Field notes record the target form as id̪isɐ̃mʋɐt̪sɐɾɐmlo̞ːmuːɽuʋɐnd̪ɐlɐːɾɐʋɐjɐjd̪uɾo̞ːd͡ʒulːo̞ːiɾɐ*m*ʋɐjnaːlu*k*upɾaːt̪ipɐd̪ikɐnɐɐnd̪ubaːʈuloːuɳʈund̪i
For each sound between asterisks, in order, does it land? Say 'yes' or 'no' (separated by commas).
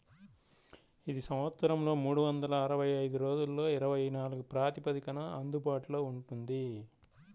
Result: no, no